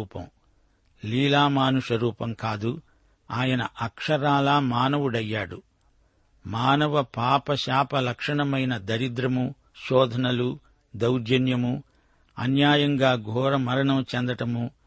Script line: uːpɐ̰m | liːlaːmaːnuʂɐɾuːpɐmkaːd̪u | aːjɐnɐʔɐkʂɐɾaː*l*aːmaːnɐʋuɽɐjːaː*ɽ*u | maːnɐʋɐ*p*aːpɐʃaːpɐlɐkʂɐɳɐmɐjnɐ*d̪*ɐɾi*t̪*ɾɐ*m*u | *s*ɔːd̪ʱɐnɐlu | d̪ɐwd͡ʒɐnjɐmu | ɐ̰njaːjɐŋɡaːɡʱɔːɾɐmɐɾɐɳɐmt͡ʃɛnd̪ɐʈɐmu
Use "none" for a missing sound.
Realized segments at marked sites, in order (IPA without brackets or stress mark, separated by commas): l, ɽ, p, d̪, d̪, m, ʃ